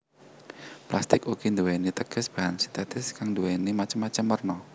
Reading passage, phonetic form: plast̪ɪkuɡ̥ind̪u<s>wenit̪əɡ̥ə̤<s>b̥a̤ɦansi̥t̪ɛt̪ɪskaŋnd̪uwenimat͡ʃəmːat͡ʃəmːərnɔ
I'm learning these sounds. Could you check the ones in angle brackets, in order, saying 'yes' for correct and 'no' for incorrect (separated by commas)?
no, yes